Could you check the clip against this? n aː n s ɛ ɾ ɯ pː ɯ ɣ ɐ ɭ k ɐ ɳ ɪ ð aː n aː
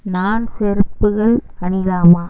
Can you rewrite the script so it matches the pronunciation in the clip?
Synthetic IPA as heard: n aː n s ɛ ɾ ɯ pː ɯ ɣ ɐ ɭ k ɐ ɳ ɪ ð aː m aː